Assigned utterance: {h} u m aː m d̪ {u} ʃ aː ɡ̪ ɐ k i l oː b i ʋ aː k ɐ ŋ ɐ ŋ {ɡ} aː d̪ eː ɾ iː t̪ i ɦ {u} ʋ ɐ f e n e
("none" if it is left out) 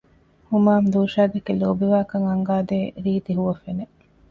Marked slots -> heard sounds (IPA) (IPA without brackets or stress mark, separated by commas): h, uː, ɡ, u